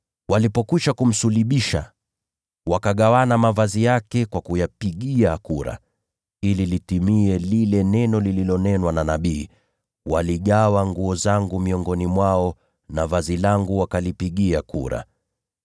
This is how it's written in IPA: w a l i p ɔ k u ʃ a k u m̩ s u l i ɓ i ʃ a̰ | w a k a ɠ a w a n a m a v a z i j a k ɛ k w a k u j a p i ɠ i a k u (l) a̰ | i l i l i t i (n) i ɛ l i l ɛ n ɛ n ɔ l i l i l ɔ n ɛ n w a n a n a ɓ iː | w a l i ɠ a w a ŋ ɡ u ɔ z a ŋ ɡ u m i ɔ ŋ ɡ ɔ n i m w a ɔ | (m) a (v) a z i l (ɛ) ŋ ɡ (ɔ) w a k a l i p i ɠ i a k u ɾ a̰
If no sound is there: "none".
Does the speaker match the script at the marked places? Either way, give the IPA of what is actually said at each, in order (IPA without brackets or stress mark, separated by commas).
ɾ, m, n, v, a, u